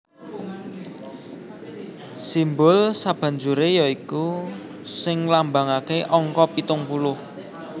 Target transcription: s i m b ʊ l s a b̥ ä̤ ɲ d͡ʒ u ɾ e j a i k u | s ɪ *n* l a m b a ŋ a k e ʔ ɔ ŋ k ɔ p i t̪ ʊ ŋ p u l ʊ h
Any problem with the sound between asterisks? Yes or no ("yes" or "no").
yes